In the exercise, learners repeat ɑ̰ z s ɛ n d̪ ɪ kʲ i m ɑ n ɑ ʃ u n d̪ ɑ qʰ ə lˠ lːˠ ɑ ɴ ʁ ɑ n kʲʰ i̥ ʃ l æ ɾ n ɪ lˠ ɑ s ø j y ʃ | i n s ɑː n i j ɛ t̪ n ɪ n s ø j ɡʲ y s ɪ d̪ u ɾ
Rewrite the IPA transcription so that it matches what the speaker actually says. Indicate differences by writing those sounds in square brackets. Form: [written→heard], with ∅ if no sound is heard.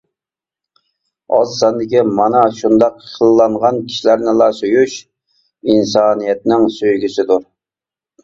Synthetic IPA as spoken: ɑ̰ z s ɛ n d̪ ɪ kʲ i m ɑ n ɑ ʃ u n d̪ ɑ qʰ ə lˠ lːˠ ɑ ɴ ʁ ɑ n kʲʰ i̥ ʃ l æ ɾ n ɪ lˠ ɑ s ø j y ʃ | i n s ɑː n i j ɛ t̪ n ɪ [n→ŋ] s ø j ɡʲ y s ɪ d̪ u ɾ